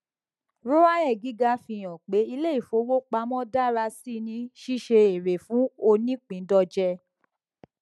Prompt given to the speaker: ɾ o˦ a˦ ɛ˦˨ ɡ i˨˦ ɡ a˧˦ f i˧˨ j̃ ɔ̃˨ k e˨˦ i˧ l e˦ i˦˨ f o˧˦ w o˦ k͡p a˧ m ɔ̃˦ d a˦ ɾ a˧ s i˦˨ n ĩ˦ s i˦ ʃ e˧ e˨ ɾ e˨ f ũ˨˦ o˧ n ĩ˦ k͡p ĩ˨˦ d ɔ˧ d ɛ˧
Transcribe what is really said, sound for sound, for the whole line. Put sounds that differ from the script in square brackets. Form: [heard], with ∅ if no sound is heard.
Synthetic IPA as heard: ɾ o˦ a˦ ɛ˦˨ ɡ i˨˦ ɡ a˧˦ f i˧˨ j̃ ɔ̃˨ [k͡p] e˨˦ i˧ l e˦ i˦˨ f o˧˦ w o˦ k͡p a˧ m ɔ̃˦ d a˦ ɾ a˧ s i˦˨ n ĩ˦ [ʃ] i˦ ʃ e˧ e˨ ɾ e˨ f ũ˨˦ o˧ n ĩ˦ k͡p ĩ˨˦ d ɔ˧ [d͡ʒ] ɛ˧